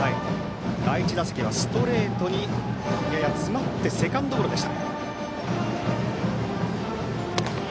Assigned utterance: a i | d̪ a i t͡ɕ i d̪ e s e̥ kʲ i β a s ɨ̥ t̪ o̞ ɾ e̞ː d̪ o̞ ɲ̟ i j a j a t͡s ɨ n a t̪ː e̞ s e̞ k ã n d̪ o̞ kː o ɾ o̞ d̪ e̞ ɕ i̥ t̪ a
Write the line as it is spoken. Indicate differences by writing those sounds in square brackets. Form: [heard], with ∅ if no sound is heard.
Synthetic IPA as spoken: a i | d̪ a i t͡ɕ i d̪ [a] s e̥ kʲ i β a s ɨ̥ t̪ o̞ ɾ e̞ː [t̪] o̞ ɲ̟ i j a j a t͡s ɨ [m] a t̪ː e̞ s e̞ k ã n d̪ o̞ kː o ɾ o̞ d̪ e̞ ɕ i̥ t̪ a

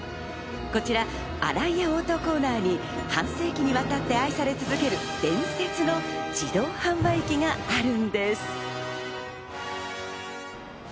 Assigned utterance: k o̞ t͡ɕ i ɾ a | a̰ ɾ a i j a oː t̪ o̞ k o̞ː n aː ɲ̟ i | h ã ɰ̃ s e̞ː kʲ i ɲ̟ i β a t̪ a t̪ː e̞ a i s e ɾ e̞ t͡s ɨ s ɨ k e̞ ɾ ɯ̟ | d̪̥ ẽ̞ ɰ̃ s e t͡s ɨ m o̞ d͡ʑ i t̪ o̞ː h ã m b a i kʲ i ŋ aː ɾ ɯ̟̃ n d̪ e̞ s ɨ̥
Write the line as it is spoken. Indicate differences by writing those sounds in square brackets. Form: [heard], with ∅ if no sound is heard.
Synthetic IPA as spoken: k o̞ t͡ɕ i ɾ a | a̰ ɾ a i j a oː t̪ o̞ k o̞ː n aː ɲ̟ i | h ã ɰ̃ s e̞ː kʲ i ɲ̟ i β a t̪ a t̪ː e̞ a i s [a] ɾ e̞ t͡s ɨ [z] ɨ k e̞ ɾ ɯ̟ | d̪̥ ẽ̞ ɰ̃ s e t͡s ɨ [n] o̞ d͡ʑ i [d̪] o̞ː h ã m b a i kʲ i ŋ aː ɾ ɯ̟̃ n d̪ e̞ s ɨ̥

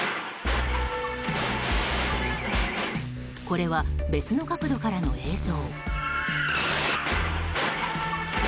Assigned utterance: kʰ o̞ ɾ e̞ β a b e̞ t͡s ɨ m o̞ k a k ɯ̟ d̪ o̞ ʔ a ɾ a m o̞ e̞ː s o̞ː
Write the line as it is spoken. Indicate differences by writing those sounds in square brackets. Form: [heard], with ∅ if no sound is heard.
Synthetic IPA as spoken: [k] o̞ ɾ e̞ β a b e̞ t͡s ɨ [n] o̞ k a k ɯ̟ d̪ o̞ [k] a ɾ a [n] o̞ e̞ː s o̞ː

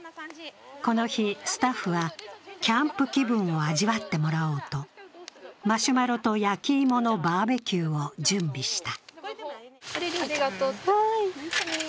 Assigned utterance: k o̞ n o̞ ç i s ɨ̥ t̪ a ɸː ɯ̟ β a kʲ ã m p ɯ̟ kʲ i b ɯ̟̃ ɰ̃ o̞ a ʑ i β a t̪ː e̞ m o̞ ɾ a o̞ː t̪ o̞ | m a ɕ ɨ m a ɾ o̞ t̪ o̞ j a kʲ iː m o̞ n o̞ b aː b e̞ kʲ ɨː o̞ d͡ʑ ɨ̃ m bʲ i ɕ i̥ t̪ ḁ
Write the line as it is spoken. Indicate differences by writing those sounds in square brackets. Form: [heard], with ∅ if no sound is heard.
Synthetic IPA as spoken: k o̞ n o̞ ç i s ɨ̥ t̪ a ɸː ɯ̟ β a kʲ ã m p ɯ̟ kʲ i b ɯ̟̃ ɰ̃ o̞ a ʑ i β a t̪ː e̞ m o̞ ɾ a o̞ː t̪ o̞ | m a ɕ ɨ m a ɾ o̞ t̪ o̞ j a kʲ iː m o̞ n o̞ b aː b e̞ kʲ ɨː o̞ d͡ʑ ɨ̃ m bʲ i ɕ i̥ t̪ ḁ

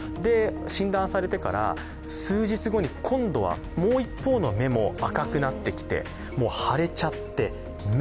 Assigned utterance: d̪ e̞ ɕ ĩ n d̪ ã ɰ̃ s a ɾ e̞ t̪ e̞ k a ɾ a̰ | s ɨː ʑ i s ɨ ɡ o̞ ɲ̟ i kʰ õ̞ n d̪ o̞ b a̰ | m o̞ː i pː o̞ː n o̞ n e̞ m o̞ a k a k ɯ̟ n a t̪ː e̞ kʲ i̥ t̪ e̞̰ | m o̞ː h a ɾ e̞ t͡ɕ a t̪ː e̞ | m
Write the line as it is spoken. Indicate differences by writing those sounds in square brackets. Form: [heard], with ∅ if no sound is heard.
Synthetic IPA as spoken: d̪ e̞ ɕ ĩ n d̪ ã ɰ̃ s a ɾ e̞ t̪ e̞ k a ɾ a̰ | s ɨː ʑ i [t͡s] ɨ ɡ o̞ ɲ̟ i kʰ õ̞ n d̪ o̞ [β] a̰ | m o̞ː i pː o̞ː n o̞ [m] e̞ m o̞ a k a k ɯ̟ n a t̪ː e̞ kʲ i̥ t̪ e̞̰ | m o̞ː h a ɾ e̞ t͡ɕ a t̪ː e̞ | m

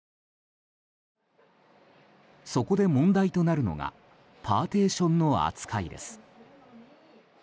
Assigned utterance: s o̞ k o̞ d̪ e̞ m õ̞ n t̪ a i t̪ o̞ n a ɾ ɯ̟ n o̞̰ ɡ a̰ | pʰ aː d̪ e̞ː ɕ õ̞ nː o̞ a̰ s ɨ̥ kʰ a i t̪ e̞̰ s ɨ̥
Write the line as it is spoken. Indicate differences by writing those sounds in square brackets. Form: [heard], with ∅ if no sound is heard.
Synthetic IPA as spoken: s o̞ k o̞ d̪ e̞ m õ̞ n [d̪] a i t̪ o̞ n a ɾ ɯ̟ n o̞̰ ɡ a̰ | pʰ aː [t̪] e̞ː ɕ õ̞ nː o̞ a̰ [t͡s] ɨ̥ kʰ a i [d̪] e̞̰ s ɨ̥

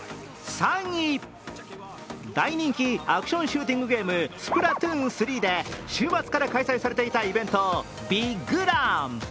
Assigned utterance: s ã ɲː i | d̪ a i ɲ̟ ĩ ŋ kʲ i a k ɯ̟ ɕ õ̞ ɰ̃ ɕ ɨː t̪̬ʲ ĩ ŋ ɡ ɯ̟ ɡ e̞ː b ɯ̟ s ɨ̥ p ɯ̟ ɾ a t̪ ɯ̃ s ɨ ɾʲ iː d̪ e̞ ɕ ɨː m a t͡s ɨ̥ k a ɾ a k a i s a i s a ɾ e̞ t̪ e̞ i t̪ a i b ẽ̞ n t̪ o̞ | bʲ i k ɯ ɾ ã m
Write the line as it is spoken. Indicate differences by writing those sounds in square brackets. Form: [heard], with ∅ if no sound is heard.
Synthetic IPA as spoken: s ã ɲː i | d̪ a i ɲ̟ ĩ ŋ kʲ i a k ɯ̟ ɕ õ̞ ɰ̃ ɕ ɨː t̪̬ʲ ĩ ŋ ɡ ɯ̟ ɡ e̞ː [m] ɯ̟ s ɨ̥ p ɯ̟ ɾ a t̪ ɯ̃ s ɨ ɾʲ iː d̪ e̞ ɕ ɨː m a t͡s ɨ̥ k a ɾ a k a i s a i s a ɾ e̞ t̪ e̞ i t̪ a i b ẽ̞ n t̪ o̞ | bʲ i [ɡ] ɯ ɾ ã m

